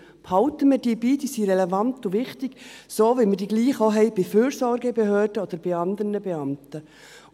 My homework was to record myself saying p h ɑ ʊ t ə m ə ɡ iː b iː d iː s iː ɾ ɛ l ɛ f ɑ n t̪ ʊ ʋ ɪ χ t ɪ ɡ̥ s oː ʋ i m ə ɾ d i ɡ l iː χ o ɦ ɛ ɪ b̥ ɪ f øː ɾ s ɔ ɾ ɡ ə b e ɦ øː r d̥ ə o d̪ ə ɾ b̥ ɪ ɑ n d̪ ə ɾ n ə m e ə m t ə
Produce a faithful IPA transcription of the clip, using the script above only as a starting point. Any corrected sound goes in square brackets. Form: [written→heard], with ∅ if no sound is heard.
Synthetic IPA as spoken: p h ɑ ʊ t ə m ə [ɡ→d] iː b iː d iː s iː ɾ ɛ l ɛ [f→v] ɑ n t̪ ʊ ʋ ɪ χ t ɪ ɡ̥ s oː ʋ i m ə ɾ d i ɡ l iː χ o ɦ ɛ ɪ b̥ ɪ f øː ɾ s ɔ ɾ ɡ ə b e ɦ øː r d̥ ə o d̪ ə ɾ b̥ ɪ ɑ n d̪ ə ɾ n ə [m→b] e [ə→ɑ] m t ə